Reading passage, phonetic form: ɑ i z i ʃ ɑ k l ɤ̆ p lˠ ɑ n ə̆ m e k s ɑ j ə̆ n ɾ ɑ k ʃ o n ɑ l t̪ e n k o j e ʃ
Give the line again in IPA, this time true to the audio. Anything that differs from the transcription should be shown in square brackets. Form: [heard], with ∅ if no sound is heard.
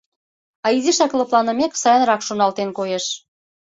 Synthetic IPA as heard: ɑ i z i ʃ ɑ k l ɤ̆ p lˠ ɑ n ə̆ m e k s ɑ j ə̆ n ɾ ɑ k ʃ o n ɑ l t̪ e n k o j e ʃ